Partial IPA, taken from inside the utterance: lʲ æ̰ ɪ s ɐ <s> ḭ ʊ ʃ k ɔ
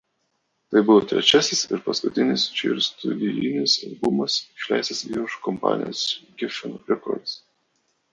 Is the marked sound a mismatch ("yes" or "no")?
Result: no